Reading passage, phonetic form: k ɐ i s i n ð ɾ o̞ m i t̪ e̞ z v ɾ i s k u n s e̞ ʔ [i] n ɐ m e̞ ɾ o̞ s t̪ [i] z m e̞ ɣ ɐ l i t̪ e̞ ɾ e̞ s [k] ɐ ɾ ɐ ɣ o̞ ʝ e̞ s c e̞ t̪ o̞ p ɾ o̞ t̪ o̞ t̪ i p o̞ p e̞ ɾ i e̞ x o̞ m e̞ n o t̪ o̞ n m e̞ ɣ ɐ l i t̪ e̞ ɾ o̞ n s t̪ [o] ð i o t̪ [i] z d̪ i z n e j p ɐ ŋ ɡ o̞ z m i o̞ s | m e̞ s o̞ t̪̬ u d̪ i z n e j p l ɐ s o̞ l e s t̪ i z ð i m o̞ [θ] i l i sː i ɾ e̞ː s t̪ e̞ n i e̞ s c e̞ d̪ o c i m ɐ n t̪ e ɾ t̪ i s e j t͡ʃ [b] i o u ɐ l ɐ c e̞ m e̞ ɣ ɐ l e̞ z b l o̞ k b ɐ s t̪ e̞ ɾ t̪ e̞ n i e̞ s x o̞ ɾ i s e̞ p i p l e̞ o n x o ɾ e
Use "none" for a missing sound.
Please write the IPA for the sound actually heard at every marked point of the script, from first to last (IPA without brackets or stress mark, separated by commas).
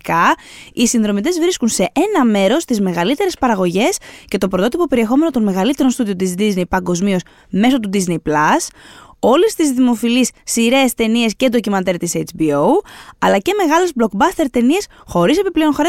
e, i, p, u, i, f, b